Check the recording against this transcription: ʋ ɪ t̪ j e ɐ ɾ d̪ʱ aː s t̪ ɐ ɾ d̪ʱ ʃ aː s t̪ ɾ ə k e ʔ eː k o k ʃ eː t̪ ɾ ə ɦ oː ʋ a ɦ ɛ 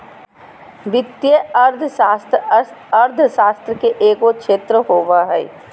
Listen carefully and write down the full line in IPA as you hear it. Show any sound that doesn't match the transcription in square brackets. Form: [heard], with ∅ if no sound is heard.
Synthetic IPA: ʋ ɪ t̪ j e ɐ ɾ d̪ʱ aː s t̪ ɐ ɾ d̪ʱ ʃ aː s t̪ ɾ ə k e ʔ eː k o k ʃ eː t̪ ɾ ə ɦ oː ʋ a ɦ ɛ